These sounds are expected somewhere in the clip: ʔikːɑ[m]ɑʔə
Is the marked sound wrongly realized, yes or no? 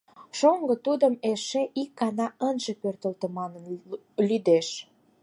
yes